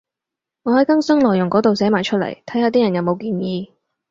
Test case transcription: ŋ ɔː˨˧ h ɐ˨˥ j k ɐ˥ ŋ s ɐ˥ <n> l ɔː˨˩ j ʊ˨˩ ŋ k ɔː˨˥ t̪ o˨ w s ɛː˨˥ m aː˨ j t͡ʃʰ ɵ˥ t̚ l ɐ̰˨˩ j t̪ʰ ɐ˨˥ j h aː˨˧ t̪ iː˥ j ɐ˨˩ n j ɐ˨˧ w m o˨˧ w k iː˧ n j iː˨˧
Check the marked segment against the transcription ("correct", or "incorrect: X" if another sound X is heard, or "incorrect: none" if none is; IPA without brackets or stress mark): incorrect: ŋ